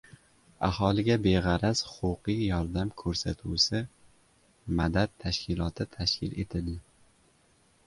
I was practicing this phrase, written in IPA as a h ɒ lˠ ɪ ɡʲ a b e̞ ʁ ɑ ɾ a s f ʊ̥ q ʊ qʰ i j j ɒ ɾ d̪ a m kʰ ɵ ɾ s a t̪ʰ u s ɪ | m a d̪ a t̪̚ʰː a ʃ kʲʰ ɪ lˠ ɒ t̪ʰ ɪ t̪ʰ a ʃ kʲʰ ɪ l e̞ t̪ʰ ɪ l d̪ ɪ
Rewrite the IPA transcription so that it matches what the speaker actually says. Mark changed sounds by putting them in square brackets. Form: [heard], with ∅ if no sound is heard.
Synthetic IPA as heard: a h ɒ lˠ ɪ ɡʲ a b e̞ ʁ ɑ ɾ a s [h] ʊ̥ q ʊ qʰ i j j ɒ ɾ d̪ a m kʰ ɵ ɾ s a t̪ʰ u s ɪ | m a d̪ a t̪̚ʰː a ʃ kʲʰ ɪ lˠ ɒ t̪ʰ ɪ t̪ʰ a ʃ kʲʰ ɪ l e̞ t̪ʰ ɪ l d̪ ɪ

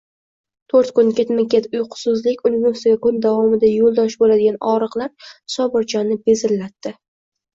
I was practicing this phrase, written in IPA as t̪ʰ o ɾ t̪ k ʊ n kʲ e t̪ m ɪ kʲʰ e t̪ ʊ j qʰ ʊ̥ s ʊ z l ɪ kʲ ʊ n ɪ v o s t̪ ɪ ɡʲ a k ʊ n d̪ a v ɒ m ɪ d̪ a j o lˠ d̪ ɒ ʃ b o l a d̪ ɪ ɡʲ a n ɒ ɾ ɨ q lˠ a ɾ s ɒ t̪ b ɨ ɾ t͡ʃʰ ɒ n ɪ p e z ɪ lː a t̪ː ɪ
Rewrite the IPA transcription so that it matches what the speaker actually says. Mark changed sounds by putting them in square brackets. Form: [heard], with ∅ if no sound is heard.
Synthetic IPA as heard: t̪ʰ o ɾ t̪ k ʊ n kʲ e t̪ m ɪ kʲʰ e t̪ ʊ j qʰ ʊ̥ s ʊ z l ɪ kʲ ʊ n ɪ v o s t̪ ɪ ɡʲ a k ʊ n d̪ a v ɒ m ɪ d̪ a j o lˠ d̪ ɒ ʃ b o l a d̪ ɪ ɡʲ a n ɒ ɾ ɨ q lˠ a ɾ s ɒ [∅] b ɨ ɾ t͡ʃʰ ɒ n ɪ [b] e z ɪ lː a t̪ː ɪ

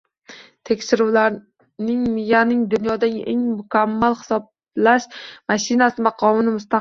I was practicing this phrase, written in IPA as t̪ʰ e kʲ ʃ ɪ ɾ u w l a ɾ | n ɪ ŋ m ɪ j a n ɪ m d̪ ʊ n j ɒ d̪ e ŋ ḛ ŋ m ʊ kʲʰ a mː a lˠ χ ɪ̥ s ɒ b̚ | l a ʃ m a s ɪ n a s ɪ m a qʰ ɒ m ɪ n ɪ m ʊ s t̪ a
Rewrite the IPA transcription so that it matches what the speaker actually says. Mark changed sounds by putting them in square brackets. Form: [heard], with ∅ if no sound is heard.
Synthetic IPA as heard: t̪ʰ e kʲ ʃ ɪ ɾ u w l a ɾ | n ɪ ŋ m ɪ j a n ɪ [ŋ] d̪ ʊ n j ɒ d̪ [a] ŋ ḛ ŋ m ʊ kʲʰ a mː a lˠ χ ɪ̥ s ɒ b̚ | l a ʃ m a [ʃ] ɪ n a s ɪ m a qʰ ɒ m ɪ n ɪ m ʊ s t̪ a

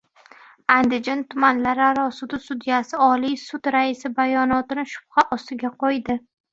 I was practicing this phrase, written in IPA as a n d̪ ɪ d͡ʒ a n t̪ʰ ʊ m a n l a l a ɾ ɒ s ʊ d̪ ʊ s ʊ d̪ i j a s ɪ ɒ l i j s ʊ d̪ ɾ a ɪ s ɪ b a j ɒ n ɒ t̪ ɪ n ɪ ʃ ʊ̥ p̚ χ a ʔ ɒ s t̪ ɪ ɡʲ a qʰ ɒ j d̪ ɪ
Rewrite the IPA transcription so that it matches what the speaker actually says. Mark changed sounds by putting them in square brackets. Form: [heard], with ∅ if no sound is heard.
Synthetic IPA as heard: a n d̪ ɪ d͡ʒ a n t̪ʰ ʊ m a n l a [ɾ] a ɾ ɒ s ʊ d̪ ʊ s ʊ d̪ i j a s ɪ ɒ l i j s ʊ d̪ ɾ a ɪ s ɪ b a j ɒ n ɒ t̪ ɪ n ɪ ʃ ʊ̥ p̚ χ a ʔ ɒ s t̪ ɪ ɡʲ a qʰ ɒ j d̪ ɪ

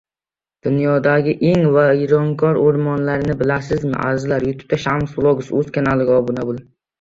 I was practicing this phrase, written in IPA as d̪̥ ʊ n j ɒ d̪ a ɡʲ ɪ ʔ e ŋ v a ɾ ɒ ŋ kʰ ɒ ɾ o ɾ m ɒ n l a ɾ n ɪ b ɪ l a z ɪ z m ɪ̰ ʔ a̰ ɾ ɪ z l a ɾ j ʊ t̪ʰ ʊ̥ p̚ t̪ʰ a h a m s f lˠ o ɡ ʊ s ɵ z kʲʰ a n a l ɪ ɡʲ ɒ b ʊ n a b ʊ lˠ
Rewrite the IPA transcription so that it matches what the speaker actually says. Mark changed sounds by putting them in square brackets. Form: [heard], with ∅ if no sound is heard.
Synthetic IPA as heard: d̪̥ ʊ n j ɒ d̪ a ɡʲ ɪ ʔ e ŋ v a ɾ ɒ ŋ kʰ ɒ ɾ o ɾ m ɒ n l a ɾ n ɪ b ɪ l a [s] ɪ z m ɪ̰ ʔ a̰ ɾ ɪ z l a ɾ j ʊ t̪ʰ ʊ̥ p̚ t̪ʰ a [ʃ] a m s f lˠ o ɡ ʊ s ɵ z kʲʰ a n a l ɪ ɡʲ ɒ b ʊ n a b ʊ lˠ

